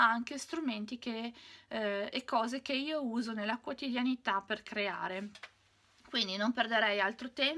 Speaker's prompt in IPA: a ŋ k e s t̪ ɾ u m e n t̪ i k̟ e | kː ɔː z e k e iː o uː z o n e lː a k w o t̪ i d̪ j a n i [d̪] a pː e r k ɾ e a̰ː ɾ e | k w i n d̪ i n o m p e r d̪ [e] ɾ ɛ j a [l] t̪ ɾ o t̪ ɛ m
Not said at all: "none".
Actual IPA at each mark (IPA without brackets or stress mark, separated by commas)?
t̪, e, l